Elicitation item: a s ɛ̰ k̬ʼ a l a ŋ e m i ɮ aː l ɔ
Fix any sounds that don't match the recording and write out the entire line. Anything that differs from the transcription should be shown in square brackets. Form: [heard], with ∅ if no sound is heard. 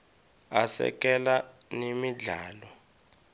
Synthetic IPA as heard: a s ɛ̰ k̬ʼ [ɛ] l a [n] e m i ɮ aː l ɔ